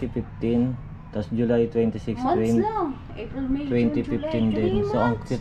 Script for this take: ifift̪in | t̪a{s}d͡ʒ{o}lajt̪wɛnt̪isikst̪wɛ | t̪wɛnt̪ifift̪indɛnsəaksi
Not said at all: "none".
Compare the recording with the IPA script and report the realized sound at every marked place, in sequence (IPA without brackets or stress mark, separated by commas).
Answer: s, u